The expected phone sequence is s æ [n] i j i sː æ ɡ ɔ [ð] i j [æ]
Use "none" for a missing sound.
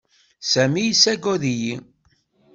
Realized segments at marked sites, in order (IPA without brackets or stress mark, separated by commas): m, ð, i